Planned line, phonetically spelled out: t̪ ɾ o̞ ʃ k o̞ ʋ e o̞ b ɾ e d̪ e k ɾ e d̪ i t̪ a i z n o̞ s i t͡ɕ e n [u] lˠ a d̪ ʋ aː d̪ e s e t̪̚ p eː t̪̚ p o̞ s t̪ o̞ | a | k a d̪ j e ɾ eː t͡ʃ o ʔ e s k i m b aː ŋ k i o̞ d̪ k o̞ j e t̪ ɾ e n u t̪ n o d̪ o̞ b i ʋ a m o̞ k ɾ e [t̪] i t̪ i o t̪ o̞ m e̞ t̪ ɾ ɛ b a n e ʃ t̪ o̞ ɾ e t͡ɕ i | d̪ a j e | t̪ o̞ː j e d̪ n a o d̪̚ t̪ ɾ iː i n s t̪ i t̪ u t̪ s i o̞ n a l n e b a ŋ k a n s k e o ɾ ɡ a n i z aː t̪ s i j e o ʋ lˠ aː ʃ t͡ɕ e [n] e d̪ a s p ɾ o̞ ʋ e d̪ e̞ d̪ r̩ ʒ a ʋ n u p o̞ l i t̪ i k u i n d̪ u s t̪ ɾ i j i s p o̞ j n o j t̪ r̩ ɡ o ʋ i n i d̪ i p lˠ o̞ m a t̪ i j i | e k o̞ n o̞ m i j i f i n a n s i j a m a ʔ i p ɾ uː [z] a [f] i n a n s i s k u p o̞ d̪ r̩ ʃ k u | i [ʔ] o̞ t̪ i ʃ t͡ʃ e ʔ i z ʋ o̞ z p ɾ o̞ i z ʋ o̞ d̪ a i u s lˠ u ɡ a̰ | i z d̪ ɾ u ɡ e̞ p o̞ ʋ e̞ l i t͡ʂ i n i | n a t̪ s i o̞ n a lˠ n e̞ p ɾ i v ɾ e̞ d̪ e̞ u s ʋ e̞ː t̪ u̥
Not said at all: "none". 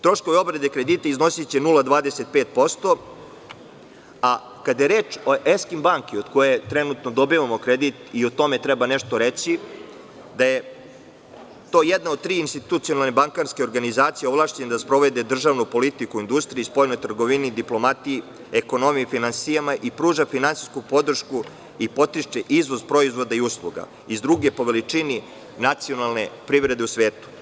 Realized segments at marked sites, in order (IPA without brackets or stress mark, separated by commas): u, d̪, n, ʒ, f, p